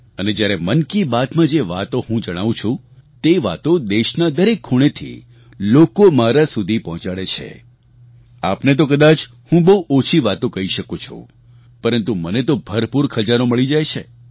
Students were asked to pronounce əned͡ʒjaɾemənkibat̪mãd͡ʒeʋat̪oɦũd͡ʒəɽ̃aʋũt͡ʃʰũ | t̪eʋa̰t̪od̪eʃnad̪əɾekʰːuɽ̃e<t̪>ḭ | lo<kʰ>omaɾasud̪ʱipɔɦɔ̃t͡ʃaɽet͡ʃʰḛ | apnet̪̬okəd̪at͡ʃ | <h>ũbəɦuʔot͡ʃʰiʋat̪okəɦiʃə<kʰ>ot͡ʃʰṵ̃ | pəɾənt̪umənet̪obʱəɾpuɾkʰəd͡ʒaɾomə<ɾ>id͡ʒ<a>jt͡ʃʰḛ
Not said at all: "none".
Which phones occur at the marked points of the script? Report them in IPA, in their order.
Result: t̪ʰ, k, h, k, ɭ, a

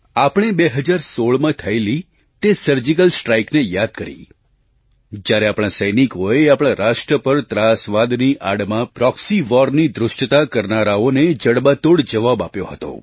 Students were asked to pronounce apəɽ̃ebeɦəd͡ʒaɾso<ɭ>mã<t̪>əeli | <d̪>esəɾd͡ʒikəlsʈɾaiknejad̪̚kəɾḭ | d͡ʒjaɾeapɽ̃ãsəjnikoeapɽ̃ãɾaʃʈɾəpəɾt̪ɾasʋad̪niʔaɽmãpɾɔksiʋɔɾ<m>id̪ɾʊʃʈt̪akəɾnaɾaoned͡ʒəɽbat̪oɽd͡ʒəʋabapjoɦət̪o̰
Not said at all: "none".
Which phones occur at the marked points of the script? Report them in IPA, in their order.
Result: ɭ, t̪ʰ, t̪, n

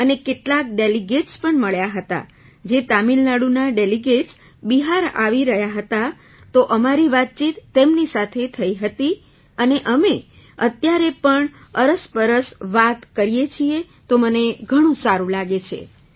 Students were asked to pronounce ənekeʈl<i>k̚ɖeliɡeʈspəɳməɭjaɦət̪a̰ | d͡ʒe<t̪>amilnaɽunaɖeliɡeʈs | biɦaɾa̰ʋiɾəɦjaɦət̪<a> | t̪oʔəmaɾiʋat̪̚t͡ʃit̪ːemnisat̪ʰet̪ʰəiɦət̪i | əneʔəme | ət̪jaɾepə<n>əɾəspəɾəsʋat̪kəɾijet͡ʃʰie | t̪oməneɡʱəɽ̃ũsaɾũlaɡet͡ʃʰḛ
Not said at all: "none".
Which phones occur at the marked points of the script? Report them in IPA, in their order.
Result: a, t̪, a, ɳ

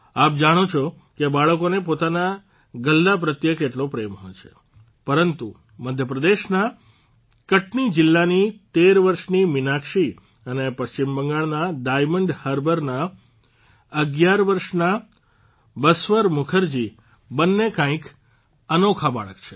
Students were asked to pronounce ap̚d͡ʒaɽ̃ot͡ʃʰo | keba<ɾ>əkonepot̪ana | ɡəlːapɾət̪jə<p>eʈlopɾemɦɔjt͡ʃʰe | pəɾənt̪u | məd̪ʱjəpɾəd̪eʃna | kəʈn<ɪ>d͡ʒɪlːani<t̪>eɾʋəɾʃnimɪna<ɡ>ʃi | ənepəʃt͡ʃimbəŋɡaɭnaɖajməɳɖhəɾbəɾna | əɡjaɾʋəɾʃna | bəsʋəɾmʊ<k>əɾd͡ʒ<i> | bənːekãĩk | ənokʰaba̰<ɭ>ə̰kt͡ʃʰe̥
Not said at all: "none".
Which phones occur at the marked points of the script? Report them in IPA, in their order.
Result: ɭ, k, i, t̪, k, kʰ, i, ɭ

